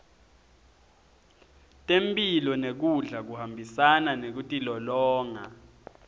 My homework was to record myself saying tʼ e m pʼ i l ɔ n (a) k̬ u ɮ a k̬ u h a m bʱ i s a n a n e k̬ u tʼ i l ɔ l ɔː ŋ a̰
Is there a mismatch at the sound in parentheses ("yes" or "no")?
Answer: yes